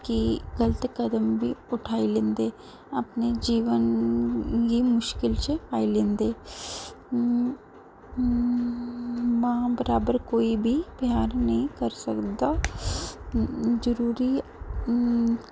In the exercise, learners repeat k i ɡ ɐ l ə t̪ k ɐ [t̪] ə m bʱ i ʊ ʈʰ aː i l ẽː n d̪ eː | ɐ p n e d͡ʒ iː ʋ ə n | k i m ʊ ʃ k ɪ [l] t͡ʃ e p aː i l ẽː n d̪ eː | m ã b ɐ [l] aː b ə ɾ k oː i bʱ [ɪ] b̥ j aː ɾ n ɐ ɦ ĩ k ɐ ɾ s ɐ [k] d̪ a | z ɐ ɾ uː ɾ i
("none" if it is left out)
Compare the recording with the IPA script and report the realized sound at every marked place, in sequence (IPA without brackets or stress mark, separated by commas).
d̪, l, ɾ, i, k